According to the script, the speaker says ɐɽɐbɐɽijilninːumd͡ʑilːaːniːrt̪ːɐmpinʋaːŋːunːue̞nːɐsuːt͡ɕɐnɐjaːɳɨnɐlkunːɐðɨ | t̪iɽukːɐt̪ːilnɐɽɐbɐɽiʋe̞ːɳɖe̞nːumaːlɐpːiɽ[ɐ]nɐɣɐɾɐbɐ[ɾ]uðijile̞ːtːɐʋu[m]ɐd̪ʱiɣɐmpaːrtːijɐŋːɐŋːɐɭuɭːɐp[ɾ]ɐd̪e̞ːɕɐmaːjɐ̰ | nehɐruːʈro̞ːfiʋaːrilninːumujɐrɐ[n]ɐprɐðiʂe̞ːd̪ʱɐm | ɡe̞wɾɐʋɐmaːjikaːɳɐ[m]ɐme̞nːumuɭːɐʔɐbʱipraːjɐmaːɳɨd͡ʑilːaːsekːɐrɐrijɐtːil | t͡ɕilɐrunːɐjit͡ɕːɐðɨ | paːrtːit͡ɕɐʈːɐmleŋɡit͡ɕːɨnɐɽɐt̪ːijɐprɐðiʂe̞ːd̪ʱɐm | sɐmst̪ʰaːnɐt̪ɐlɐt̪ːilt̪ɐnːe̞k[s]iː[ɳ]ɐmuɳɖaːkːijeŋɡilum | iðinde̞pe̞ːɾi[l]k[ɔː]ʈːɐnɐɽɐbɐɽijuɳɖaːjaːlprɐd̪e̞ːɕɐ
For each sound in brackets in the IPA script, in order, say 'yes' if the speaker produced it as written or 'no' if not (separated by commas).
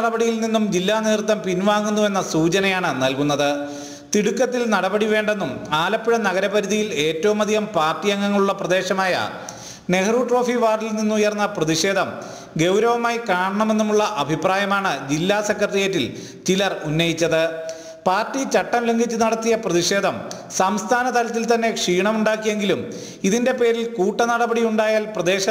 yes, yes, yes, no, no, no, no, yes, yes, no